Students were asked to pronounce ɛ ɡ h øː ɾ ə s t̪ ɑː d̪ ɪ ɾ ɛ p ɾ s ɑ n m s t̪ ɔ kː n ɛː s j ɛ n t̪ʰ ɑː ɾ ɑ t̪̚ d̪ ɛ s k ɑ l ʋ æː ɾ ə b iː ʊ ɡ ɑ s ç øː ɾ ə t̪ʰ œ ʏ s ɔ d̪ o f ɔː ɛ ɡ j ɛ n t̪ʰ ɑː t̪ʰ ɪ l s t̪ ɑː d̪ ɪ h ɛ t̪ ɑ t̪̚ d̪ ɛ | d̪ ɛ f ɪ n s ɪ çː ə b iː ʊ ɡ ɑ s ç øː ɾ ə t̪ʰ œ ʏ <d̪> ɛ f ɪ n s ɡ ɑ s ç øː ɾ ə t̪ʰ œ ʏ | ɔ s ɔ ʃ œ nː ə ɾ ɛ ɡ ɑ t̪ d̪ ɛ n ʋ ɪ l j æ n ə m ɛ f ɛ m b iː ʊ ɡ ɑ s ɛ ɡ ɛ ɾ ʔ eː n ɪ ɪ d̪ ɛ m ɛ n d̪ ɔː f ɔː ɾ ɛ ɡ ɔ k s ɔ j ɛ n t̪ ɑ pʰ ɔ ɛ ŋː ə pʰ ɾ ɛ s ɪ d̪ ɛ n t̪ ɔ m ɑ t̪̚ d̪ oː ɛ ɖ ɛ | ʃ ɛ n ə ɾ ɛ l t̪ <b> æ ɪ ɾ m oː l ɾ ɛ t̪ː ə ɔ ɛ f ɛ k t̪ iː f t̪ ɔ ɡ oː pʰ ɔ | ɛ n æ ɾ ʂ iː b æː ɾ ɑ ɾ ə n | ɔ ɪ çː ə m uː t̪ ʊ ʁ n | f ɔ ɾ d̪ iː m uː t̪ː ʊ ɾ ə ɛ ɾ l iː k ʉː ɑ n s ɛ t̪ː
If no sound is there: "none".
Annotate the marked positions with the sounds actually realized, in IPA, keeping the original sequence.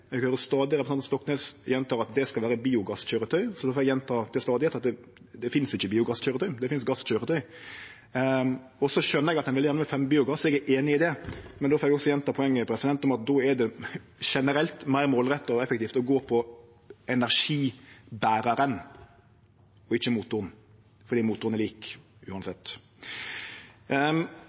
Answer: d̪, m

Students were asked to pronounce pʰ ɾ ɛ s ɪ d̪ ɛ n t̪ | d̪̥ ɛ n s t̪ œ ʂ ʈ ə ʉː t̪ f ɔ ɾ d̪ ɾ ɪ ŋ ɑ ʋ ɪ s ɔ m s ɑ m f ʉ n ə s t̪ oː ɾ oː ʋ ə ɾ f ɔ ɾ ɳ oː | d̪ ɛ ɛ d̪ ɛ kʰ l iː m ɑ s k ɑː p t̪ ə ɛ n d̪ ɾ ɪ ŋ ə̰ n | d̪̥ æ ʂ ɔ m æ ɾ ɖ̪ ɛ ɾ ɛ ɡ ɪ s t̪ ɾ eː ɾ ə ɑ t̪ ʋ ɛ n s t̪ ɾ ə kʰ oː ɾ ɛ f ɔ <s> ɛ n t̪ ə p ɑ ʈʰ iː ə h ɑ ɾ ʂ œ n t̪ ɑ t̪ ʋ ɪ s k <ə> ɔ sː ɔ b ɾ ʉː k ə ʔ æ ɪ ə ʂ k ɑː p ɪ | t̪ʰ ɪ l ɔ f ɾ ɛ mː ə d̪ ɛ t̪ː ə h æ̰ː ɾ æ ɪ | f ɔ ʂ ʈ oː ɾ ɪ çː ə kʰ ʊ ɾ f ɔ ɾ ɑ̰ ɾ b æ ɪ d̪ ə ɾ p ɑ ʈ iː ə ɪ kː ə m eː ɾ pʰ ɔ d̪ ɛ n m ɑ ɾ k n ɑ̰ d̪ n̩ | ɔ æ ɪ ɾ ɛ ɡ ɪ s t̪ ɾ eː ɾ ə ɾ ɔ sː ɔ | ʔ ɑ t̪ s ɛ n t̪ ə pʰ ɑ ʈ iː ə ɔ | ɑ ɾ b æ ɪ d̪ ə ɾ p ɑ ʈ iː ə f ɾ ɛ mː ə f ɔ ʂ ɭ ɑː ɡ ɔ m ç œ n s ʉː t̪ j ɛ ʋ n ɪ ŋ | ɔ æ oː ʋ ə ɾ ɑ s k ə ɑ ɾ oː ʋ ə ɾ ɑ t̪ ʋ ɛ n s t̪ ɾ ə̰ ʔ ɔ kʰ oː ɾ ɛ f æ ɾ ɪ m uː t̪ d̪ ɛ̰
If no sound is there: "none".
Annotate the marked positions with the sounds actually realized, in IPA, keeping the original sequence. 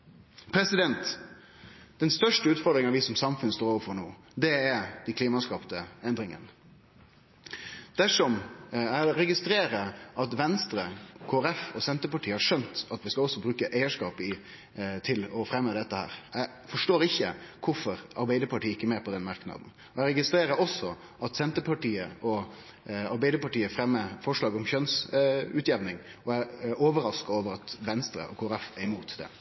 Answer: s, ɑ

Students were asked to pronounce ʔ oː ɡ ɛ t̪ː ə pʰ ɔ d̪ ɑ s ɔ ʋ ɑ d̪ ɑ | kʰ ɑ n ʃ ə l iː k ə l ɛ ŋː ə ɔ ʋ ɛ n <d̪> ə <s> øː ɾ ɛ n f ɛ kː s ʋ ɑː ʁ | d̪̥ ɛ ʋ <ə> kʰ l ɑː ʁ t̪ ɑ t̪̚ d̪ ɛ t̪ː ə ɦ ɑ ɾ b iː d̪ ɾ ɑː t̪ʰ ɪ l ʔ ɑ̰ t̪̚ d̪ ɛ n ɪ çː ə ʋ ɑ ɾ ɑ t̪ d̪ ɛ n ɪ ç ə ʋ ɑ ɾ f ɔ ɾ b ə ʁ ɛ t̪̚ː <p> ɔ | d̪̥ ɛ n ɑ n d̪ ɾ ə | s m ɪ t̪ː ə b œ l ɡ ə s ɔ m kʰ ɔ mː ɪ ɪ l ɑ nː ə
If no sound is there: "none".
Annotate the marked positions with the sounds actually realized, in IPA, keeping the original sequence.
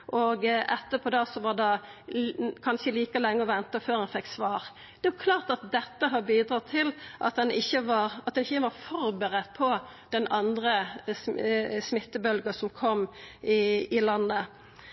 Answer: t̪, f, ɑ, pʰ

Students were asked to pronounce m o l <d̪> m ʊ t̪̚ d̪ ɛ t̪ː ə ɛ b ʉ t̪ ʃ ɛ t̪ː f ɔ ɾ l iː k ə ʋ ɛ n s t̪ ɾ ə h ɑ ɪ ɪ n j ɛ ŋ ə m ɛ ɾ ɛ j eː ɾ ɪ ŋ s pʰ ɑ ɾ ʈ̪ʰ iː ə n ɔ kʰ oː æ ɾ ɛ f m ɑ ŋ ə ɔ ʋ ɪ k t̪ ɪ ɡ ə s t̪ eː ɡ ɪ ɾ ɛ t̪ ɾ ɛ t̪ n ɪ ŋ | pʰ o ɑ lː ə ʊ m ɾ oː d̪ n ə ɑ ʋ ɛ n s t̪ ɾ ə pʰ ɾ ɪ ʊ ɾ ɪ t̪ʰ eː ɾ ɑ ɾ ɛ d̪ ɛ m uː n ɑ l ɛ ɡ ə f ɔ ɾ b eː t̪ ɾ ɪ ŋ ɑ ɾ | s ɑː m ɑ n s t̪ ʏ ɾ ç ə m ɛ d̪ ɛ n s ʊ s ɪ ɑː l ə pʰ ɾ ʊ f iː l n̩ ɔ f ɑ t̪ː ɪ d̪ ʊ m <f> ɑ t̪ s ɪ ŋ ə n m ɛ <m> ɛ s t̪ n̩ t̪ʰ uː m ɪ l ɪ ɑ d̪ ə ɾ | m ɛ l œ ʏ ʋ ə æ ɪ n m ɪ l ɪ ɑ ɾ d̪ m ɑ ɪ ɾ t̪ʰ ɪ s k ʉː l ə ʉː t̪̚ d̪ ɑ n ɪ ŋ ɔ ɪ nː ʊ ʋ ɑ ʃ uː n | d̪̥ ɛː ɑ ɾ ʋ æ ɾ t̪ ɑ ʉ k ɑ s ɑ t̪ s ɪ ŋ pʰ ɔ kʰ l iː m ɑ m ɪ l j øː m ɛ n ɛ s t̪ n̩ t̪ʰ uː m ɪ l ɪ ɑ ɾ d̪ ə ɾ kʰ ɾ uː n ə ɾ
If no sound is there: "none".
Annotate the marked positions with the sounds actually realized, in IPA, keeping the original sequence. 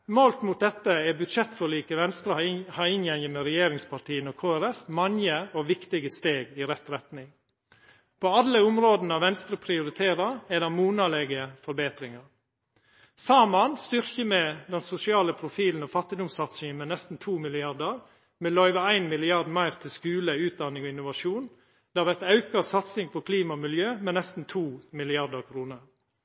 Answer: t̪, s, n

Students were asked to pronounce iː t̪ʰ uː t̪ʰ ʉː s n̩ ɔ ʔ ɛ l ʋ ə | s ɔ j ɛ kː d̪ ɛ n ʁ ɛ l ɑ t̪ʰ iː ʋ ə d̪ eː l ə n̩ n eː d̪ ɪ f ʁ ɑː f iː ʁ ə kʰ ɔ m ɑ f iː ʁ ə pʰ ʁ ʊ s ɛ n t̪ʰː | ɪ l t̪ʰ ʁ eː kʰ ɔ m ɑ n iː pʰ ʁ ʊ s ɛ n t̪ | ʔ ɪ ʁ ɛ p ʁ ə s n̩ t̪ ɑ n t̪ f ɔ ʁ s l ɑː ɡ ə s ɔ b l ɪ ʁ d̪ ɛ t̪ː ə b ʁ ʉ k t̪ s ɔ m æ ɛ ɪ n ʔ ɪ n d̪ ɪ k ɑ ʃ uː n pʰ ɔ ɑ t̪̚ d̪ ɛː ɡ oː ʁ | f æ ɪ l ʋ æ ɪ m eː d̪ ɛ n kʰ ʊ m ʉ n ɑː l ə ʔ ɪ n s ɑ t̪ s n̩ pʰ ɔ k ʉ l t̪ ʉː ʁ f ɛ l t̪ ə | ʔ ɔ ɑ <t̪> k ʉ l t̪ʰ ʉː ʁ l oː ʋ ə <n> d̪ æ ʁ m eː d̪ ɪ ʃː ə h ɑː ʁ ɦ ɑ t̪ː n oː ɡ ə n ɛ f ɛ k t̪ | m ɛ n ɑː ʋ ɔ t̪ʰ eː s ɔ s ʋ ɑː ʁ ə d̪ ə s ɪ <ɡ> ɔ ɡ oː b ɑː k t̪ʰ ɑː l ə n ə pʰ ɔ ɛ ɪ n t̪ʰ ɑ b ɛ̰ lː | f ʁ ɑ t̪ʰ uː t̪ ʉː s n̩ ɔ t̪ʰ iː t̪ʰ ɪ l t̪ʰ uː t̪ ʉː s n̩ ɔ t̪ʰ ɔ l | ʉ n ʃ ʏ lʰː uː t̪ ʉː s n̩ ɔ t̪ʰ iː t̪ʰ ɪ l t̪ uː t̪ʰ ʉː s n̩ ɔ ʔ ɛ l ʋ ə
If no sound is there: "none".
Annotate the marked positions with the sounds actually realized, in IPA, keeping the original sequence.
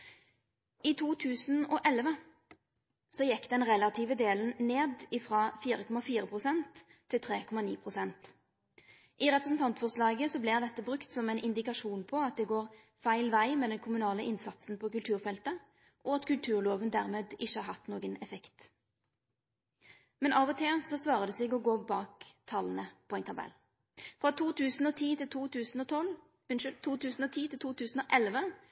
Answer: t̪, n, ɡ

